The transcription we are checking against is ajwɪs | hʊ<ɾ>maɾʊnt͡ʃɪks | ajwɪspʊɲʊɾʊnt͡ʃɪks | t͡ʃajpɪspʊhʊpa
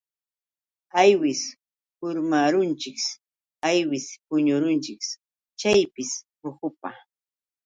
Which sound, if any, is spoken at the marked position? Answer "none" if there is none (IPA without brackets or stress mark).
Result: ɾ